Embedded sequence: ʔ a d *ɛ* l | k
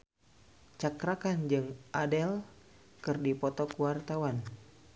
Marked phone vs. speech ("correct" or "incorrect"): correct